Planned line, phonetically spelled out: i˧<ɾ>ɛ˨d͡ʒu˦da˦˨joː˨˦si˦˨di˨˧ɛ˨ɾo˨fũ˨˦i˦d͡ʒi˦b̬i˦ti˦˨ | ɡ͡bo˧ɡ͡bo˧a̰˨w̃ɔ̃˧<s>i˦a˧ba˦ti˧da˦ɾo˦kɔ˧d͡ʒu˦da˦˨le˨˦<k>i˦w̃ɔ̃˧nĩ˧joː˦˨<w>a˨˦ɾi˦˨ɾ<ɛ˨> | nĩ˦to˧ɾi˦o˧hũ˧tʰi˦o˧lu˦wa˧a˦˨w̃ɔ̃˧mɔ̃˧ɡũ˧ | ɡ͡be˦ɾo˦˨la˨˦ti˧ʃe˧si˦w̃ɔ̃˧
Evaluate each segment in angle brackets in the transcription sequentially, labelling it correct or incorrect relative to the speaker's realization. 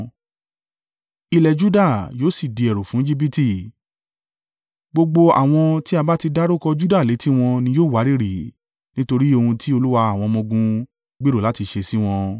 incorrect: l, incorrect: t, incorrect: t, correct, incorrect: i˨

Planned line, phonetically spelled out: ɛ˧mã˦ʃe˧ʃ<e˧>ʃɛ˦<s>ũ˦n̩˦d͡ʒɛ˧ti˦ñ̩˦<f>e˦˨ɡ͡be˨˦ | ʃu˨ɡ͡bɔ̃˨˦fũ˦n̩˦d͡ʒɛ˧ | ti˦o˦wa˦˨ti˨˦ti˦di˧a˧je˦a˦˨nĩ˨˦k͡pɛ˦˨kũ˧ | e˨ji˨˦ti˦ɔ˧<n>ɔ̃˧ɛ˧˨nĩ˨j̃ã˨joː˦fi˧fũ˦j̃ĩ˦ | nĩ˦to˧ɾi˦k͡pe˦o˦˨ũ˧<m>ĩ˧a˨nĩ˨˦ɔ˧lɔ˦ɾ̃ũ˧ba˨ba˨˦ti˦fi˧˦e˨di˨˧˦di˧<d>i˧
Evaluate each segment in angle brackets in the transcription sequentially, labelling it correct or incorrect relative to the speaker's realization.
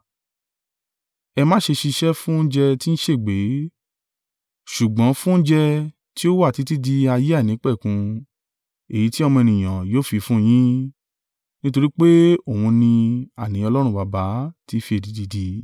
incorrect: i˧, incorrect: f, incorrect: ʃ, incorrect: m, incorrect: n, correct

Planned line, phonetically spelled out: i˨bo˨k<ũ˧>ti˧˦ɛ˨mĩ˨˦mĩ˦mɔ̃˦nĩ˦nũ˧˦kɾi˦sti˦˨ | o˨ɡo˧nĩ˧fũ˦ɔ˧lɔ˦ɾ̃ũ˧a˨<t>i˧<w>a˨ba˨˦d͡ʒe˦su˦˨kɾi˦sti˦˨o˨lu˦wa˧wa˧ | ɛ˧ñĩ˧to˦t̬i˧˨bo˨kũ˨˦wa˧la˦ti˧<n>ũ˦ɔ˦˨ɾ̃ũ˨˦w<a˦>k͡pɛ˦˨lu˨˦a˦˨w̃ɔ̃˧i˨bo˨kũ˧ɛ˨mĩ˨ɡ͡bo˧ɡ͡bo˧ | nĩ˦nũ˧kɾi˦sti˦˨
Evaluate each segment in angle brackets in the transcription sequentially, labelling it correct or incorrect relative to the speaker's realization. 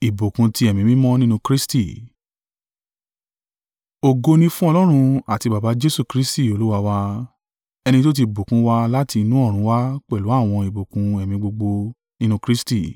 correct, correct, incorrect: b, correct, correct

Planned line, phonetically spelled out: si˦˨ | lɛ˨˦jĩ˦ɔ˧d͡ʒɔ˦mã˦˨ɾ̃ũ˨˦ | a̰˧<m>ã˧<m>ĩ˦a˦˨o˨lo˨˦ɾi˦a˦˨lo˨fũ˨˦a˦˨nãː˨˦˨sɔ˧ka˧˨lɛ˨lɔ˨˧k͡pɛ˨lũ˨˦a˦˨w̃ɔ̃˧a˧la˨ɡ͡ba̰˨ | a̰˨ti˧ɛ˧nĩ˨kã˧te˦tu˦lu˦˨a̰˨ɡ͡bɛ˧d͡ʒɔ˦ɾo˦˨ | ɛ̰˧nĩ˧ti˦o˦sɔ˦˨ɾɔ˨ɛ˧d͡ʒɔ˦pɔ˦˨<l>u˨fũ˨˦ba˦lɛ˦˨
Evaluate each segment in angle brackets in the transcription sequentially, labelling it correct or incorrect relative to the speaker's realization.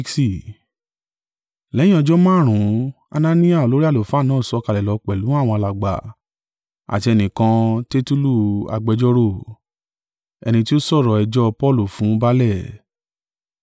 incorrect: n, incorrect: n, correct

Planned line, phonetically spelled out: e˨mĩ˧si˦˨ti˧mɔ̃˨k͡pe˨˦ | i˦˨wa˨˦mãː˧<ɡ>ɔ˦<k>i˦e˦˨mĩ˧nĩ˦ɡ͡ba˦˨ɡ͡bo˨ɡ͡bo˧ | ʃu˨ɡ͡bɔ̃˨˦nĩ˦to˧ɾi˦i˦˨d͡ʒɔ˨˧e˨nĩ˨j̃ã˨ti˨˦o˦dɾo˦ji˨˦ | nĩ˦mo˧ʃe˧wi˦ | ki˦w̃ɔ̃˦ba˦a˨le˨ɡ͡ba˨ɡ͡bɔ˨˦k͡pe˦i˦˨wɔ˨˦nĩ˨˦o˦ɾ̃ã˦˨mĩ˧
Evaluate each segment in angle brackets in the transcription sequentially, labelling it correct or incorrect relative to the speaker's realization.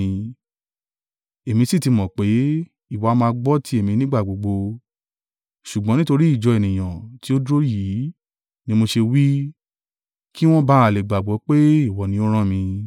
incorrect: ɡ͡b, incorrect: t

